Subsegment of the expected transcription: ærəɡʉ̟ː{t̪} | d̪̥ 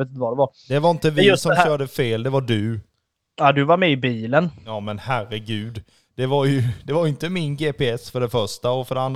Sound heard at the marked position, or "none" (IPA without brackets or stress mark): d̪